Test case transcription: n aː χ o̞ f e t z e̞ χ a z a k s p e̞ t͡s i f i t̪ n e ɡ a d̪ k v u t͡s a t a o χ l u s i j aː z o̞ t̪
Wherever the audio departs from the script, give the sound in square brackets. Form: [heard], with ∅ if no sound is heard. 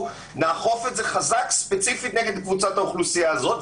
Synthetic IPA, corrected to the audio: n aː χ o̞ f e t z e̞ χ a z a k s p e̞ t͡s i f i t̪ n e ɡ [e] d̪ k v u t͡s a t a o χ l u s i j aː z o̞ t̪

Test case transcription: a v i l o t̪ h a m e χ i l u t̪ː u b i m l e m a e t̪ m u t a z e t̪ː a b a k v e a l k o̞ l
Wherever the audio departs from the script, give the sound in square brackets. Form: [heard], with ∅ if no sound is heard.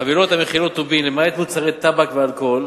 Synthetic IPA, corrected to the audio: a v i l o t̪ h a m e χ i l [o] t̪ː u b i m l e m a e t̪ m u [t͡s] a [ʁ] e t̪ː a b a k v e a l k o̞ l

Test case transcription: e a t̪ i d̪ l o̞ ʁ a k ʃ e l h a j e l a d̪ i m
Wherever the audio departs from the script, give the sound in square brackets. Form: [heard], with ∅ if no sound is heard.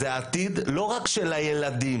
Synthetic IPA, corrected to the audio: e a t̪ i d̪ l o̞ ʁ a k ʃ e l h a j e l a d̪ i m

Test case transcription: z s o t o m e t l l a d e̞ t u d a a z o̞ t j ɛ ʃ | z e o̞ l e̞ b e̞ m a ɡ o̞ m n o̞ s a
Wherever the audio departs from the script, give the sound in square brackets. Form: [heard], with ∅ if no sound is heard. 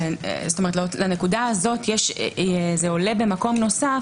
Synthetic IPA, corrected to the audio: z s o t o m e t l l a [n] e̞ [k] u d a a z o̞ t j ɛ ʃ | z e o̞ l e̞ b e̞ m a [k] o̞ m n o̞ s a

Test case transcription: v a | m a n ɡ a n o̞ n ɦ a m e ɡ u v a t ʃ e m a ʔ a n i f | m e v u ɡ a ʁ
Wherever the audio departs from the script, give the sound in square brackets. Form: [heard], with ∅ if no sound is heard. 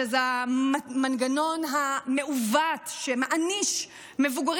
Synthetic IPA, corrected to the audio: [z] a | m a n ɡ a n o̞ n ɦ a m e [∅] u v a t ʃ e m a ʔ a n i [ʃ] | m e v u ɡ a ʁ

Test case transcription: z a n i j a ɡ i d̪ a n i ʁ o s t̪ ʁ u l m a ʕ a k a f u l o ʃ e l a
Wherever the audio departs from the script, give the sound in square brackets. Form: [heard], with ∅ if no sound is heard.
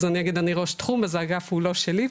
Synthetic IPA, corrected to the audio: z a n i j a ɡ i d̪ a n i ʁ o [ʃ] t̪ [χ] u [∅] m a [z] a [ɡ] a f u l o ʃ e l [i]

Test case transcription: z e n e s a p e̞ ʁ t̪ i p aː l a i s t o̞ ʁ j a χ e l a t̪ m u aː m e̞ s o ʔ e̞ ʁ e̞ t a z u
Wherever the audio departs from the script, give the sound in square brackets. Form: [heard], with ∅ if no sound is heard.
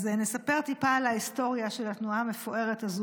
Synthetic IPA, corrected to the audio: z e n e s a p e̞ ʁ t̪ i p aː l a i s t o̞ ʁ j a [ʃ] e l a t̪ [n] u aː m e̞ [f] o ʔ e̞ ʁ e̞ t a z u

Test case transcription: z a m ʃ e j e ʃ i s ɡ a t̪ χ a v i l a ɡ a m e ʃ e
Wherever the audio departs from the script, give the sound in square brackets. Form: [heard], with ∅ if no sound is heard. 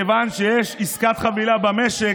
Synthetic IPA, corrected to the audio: [v] a [n] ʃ e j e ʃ i s [k] a t̪ χ a v i l a [b] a m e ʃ e

